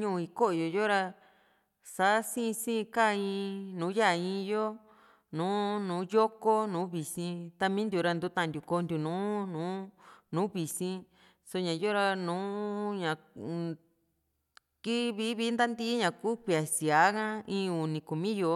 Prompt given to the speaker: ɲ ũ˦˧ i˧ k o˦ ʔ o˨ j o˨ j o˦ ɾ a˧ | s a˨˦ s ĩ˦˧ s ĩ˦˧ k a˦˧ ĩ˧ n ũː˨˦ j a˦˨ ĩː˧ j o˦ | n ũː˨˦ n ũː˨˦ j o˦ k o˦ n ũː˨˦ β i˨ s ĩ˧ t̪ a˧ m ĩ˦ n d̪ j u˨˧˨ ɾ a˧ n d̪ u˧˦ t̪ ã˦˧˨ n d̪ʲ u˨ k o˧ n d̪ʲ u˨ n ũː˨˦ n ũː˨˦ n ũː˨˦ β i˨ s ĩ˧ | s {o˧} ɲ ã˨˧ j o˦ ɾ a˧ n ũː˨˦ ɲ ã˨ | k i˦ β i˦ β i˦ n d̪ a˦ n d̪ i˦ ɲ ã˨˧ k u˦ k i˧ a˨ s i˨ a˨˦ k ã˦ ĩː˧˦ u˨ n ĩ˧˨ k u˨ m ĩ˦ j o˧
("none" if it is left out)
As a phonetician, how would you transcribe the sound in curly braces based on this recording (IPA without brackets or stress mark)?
o˧